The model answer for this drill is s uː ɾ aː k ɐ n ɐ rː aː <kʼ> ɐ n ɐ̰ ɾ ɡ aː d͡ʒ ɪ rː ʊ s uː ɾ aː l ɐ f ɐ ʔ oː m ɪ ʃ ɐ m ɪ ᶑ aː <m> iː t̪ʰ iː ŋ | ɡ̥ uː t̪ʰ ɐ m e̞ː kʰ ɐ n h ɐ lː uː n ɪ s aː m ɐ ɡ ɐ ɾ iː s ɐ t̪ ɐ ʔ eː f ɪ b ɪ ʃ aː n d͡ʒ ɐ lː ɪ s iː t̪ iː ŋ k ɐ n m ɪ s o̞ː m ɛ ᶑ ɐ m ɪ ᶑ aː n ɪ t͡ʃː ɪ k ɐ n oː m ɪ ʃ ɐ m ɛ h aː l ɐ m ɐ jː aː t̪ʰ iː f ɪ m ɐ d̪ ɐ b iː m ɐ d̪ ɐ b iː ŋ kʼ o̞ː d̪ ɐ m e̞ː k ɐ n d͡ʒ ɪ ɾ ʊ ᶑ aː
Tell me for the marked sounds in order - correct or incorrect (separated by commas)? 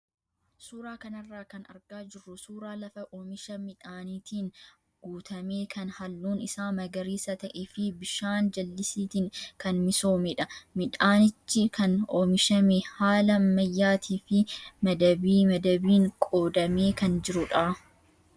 incorrect, incorrect